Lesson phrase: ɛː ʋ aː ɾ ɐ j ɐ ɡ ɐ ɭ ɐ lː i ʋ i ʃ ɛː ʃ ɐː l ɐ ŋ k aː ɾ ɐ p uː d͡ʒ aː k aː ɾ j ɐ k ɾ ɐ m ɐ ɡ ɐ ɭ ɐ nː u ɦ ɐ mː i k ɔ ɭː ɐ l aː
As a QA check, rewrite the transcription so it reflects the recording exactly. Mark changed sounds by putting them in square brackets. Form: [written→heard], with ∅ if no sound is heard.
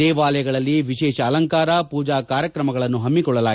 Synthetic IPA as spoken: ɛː ʋ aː [ɾ→l] ɐ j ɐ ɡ ɐ ɭ ɐ lː i ʋ i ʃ ɛː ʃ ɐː l ɐ ŋ k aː ɾ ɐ p uː d͡ʒ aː k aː ɾ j ɐ k ɾ ɐ m ɐ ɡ ɐ ɭ ɐ nː u ɦ ɐ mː i k ɔ ɭː ɐ l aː